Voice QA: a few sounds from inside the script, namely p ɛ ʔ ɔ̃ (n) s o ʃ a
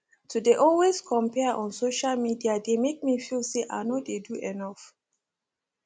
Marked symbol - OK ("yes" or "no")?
yes